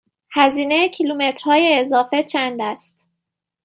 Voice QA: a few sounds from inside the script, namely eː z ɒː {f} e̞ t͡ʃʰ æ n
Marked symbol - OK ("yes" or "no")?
yes